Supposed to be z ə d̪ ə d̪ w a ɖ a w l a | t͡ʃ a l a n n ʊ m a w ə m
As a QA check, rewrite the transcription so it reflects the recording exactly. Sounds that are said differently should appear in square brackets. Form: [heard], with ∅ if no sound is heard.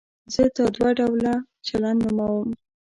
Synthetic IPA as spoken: z ə [t̪] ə d̪ w a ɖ a w l a | t͡ʃ a l a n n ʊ m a w ə m